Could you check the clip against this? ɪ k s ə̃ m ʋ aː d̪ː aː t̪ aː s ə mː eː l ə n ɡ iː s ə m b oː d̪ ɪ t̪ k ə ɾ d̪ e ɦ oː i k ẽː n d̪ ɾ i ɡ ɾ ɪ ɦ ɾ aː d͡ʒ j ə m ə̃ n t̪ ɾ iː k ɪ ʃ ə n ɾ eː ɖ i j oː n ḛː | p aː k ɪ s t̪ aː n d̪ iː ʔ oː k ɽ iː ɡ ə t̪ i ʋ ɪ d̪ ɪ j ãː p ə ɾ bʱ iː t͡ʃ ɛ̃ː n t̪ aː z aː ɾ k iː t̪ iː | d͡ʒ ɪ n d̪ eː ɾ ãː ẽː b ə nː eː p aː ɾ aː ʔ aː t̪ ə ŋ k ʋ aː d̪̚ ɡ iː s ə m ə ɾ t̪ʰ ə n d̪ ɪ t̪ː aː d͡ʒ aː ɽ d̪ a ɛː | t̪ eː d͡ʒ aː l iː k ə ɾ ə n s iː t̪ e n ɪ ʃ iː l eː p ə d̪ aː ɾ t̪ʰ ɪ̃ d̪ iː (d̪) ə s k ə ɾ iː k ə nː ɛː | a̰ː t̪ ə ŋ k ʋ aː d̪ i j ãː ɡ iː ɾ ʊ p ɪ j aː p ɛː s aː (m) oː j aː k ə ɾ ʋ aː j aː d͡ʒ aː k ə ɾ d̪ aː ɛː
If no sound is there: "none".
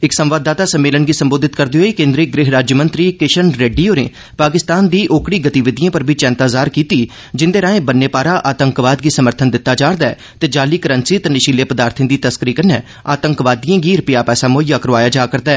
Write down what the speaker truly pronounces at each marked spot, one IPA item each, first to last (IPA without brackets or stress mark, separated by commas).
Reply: t̪, m